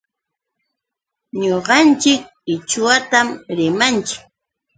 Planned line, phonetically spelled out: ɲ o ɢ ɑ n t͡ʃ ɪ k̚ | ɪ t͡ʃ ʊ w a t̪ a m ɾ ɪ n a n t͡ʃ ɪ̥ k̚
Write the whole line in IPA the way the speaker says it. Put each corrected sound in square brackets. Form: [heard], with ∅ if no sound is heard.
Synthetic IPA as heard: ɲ o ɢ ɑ n t͡ʃ ɪ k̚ | ɪ t͡ʃ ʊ w a t̪ a m ɾ ɪ [m] a n t͡ʃ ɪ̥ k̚